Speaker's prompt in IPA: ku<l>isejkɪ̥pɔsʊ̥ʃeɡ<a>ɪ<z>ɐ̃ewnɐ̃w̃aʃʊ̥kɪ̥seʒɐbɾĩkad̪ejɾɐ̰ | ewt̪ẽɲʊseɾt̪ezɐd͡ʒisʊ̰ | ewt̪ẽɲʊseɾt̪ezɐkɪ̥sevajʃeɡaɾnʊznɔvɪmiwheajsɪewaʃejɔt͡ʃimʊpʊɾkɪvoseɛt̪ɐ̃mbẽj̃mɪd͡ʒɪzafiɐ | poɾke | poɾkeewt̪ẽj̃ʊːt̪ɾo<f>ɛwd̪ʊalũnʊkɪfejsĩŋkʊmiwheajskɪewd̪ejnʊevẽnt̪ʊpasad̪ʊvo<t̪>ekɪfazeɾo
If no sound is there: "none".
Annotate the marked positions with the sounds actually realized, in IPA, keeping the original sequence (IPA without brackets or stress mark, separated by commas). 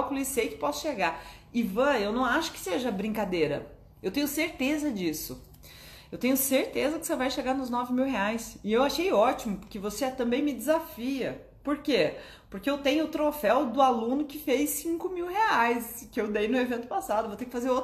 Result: l, a, v, f, t̪